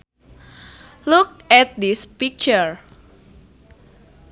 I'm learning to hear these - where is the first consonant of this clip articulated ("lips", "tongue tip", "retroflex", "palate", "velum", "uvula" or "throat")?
tongue tip